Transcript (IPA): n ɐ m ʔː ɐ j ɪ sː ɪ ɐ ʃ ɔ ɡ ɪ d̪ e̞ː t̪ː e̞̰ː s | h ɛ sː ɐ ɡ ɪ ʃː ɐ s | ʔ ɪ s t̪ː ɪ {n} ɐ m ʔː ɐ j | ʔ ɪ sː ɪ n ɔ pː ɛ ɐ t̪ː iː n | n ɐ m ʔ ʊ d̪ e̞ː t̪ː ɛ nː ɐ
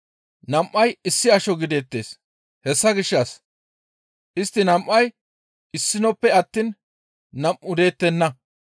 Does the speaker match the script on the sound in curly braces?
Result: yes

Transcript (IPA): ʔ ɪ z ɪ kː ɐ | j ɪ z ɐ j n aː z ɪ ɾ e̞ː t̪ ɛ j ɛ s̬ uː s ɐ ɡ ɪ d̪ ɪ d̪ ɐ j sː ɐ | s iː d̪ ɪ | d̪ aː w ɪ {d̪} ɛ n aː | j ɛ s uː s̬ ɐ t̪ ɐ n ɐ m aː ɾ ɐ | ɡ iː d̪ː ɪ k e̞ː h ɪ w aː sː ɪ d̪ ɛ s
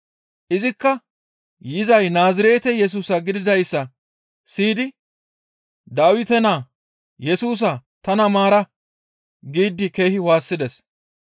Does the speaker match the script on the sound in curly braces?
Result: no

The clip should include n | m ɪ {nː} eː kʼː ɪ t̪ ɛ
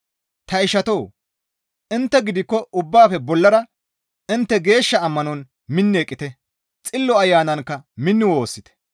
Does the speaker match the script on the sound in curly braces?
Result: yes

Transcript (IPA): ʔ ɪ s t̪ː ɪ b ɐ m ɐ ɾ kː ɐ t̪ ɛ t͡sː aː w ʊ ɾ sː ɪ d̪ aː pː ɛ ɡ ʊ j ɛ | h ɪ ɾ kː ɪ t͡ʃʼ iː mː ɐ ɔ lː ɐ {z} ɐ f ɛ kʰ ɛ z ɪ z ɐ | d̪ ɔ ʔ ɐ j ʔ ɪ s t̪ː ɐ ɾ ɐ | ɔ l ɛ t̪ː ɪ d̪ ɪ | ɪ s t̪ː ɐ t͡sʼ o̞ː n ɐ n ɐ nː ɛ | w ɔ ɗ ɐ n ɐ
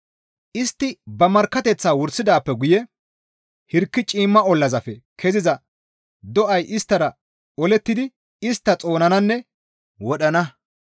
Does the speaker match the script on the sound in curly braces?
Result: yes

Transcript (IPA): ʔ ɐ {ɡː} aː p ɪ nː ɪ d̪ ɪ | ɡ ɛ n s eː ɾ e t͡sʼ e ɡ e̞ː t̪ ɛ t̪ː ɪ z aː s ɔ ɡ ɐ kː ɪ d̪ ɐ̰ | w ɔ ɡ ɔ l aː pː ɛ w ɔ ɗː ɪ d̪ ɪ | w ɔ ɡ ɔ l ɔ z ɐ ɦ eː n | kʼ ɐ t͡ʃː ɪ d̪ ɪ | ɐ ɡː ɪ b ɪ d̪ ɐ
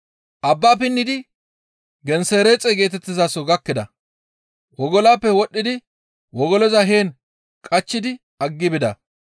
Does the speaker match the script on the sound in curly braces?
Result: no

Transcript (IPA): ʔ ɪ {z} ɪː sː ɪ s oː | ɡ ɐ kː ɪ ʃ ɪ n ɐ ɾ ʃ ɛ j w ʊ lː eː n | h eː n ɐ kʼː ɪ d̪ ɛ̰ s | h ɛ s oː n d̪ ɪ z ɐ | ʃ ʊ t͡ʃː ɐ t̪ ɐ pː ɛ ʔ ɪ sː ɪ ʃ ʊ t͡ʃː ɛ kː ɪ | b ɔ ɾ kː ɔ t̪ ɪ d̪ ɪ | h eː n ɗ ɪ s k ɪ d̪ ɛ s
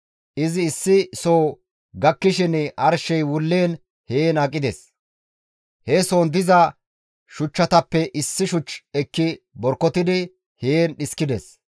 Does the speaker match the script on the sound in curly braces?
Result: yes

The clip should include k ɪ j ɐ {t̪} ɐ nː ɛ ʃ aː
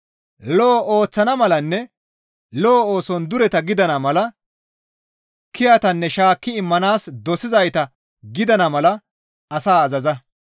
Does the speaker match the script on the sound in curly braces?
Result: yes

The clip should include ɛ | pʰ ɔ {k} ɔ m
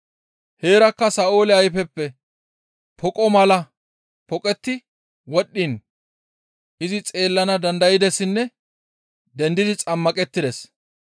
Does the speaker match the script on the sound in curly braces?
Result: no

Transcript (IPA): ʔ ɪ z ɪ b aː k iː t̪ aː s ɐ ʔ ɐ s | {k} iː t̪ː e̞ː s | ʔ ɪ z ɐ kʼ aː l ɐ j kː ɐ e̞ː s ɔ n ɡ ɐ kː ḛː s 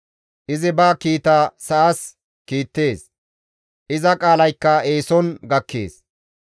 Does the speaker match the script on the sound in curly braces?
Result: yes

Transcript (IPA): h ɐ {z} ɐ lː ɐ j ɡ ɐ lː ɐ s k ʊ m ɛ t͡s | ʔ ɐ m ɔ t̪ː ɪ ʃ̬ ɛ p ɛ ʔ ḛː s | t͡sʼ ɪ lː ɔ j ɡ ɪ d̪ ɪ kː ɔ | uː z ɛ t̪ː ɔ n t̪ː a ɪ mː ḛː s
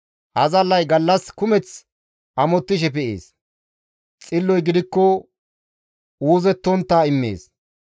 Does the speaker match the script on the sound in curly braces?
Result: yes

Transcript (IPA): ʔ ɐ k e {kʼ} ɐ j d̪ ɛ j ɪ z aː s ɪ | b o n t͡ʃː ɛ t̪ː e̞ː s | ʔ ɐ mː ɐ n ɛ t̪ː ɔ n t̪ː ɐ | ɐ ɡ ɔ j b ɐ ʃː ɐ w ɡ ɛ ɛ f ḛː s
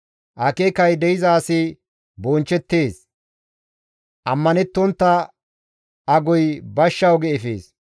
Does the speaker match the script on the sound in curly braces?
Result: no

